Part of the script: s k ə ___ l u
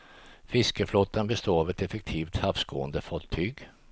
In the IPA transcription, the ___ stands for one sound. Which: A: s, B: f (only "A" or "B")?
B